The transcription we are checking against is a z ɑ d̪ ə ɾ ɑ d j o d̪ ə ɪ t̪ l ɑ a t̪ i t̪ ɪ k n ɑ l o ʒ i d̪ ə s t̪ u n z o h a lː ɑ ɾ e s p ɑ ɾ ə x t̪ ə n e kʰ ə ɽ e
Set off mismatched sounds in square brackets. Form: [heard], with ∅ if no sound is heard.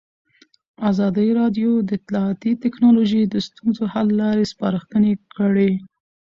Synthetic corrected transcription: a z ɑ d̪ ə ɾ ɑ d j o d̪ ə ɪ t̪ l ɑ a t̪ i t̪ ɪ k n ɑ l o ʒ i d̪ ə s t̪ u n z o h a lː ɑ ɾ e s p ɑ ɾ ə x t̪ ə n e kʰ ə ɽ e